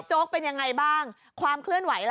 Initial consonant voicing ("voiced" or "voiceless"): voiceless